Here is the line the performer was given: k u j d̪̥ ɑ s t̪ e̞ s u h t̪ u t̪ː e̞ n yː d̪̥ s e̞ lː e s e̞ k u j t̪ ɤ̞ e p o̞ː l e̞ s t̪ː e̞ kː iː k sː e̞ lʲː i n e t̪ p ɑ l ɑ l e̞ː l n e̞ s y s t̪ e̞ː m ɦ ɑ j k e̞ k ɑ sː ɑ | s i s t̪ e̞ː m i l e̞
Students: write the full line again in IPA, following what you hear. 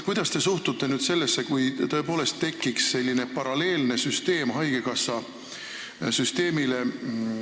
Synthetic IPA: k u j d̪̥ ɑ s t̪ e̞ s u h t̪ u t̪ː e̞ n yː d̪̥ s e̞ lː e sː e̞ k u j t̪ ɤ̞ e p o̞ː l e̞ s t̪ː e̞ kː i k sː e̞ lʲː i n e p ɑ ɾ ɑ l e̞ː l n e̞ s y s t̪ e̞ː m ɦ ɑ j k e̞ k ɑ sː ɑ | s y s t̪ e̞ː m i l e̞